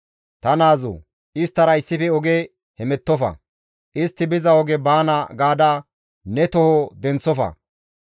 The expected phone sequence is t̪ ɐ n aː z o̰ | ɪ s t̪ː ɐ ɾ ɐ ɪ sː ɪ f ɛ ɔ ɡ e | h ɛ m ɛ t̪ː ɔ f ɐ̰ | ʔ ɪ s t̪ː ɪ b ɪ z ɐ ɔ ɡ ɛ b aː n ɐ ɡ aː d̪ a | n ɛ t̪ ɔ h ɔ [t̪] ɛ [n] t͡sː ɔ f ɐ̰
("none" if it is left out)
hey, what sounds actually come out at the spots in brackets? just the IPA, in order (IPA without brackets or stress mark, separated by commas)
d̪, n